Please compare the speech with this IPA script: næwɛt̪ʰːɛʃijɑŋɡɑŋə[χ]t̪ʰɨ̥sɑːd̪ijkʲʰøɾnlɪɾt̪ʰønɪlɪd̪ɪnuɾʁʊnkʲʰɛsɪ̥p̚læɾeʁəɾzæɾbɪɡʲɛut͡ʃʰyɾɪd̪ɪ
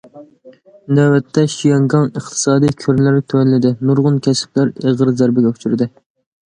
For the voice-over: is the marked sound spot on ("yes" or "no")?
yes